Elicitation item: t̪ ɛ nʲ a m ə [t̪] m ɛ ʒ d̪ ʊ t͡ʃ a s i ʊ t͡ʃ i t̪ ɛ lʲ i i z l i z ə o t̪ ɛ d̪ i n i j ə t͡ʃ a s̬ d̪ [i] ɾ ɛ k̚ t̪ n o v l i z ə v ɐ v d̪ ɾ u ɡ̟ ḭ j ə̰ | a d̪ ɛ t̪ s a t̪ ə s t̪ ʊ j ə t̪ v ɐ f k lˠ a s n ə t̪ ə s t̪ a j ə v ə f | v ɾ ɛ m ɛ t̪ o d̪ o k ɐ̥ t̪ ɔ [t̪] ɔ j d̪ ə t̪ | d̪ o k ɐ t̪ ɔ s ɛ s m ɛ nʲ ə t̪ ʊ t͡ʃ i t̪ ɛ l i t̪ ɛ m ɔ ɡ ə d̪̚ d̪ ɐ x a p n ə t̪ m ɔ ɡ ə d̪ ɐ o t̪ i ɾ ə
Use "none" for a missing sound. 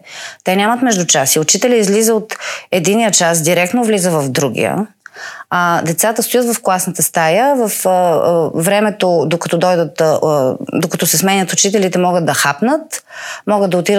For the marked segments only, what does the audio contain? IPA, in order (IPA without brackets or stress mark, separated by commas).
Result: t̪, i, d̪